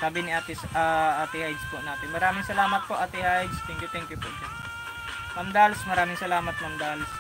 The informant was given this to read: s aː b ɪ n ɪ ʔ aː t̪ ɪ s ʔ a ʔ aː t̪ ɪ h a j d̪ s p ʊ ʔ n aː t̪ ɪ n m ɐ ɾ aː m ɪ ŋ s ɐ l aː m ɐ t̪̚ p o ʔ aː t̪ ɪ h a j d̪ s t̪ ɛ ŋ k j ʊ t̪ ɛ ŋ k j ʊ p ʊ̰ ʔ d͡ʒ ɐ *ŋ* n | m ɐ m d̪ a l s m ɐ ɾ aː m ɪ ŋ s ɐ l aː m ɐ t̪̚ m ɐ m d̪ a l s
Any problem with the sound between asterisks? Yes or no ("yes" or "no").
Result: yes